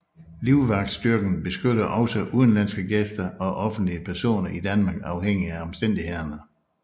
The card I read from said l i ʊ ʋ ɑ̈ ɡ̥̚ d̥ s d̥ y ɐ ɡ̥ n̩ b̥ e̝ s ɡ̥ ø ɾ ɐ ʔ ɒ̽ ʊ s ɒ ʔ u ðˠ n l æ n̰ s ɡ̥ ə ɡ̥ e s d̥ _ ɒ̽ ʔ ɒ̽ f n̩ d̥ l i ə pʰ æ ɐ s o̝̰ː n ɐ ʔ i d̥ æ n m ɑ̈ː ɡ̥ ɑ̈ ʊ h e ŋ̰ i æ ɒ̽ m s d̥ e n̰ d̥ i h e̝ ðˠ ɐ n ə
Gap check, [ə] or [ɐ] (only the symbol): ɐ